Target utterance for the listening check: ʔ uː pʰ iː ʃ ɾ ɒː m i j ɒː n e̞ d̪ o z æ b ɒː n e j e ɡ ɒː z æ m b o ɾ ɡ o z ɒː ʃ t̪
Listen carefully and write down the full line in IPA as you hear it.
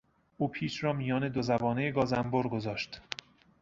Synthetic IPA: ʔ uː pʰ iː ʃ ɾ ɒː m i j ɒː n e̞ d̪ o z æ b ɒː n e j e ɡ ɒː z æ m b o ɾ ɡ o z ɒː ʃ t̪